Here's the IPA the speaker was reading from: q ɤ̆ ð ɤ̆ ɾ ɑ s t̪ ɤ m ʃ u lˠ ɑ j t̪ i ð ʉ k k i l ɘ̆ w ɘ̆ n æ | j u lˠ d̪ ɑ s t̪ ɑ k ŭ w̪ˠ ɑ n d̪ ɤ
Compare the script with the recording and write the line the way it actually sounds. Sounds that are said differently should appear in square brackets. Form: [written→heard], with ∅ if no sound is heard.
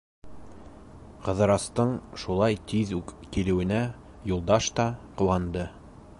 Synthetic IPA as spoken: q ɤ̆ ð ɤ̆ ɾ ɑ s t̪ ɤ [m→ɴ] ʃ u lˠ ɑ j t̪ i ð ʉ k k i l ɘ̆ w ɘ̆ n æ | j u lˠ d̪ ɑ [s→ʃ] t̪ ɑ [k→q] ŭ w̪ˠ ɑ n d̪ ɤ